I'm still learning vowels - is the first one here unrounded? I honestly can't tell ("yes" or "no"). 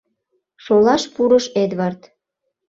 no